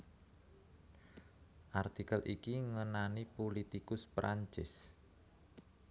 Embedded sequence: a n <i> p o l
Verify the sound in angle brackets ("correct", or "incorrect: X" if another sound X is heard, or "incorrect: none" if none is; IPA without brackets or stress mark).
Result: correct